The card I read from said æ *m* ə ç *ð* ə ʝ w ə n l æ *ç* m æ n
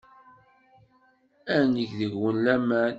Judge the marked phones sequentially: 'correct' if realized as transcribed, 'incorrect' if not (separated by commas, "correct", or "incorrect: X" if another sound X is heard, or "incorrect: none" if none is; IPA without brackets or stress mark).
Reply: incorrect: n, correct, incorrect: none